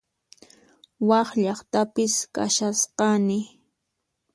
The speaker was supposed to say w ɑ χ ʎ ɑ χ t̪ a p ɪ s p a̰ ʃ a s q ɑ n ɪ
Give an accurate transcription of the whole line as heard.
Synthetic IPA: w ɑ χ ʎ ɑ χ t̪ a p ɪ s k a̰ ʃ a s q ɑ n ɪ